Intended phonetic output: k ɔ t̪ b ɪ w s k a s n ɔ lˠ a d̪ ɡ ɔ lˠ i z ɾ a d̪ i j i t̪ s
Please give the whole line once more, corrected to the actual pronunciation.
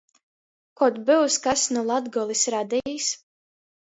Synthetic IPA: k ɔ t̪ b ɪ w s k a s n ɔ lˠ a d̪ ɡ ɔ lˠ i s ɾ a d̪ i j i s